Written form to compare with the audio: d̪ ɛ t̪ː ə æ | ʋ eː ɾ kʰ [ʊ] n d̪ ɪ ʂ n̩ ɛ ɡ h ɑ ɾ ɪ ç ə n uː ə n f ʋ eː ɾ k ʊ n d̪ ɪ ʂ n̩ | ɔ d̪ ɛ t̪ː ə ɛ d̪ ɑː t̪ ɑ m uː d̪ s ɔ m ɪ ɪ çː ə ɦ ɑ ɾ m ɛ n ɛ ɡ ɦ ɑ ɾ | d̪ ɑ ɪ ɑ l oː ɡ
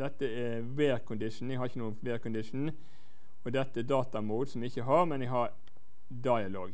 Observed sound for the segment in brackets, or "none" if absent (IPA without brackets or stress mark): ʊ